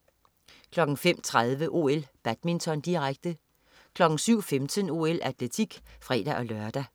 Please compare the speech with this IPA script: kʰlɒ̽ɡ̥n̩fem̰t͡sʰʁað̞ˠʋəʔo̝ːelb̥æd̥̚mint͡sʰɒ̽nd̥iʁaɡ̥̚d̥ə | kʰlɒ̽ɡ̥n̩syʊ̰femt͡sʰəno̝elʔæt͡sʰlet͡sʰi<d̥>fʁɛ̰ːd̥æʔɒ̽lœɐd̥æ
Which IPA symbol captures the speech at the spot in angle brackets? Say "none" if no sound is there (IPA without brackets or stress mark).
ɡ̥